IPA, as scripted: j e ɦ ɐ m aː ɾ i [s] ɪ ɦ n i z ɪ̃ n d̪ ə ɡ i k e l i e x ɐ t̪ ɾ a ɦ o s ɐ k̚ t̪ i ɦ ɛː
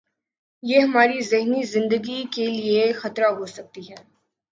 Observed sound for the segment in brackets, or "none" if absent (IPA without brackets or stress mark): z